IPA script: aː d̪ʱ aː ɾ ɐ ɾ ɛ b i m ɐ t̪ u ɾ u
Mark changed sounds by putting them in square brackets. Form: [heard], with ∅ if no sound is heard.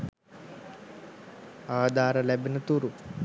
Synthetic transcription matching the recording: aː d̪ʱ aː ɾ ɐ [l] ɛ b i [n] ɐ t̪ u ɾ u